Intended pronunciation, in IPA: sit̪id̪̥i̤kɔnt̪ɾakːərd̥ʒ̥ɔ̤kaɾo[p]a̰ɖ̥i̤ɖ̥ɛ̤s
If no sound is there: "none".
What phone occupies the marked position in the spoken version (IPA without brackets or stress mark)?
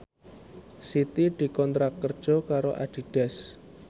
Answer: ʔ